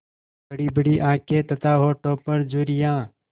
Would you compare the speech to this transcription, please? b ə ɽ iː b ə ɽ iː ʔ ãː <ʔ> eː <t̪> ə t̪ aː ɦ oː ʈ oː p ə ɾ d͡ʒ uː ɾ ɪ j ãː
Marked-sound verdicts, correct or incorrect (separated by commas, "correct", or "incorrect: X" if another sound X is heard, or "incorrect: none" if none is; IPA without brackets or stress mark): incorrect: k, correct